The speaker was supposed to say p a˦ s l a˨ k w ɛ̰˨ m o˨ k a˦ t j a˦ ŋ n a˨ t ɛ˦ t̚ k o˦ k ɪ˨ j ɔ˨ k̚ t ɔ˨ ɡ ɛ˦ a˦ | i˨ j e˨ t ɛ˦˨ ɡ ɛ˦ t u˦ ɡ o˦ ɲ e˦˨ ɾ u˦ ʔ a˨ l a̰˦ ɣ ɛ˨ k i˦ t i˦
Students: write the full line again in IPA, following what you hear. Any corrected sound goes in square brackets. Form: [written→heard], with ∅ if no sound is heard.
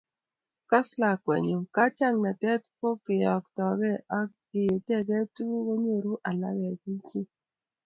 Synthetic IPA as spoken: [p→k] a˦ s l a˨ k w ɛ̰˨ [m→ɲ] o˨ k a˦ t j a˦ ŋ n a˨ t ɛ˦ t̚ k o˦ k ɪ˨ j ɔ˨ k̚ t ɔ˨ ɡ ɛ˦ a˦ | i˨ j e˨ t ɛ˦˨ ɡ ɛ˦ t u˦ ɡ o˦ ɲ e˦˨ ɾ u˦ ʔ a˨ l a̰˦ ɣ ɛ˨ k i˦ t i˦